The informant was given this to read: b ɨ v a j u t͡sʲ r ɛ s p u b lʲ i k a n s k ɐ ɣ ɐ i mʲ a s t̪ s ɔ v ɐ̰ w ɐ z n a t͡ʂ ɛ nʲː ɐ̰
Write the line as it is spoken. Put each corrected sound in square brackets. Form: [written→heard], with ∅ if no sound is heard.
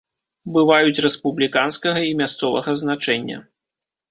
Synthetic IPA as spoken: b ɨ v a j u t͡sʲ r ɛ s p u b lʲ i k a n s k ɐ ɣ ɐ i mʲ a s t̪ s ɔ v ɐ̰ [w→ɣ] ɐ z n a t͡ʂ ɛ nʲː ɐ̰

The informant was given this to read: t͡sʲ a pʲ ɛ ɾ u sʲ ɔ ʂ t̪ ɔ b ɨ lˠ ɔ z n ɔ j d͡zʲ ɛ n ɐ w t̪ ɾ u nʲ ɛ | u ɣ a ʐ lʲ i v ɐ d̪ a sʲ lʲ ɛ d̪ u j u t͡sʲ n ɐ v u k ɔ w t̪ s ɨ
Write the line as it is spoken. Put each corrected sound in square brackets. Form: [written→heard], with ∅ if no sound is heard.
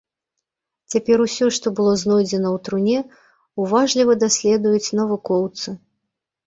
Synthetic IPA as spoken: t͡sʲ a pʲ ɛ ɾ u sʲ ɔ ʂ t̪ ɔ b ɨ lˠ ɔ z n ɔ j d͡zʲ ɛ n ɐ w t̪ ɾ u nʲ ɛ | u [ɣ→v] a ʐ lʲ i v ɐ d̪ a sʲ lʲ ɛ d̪ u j u t͡sʲ n ɐ v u k ɔ w t̪ s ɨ

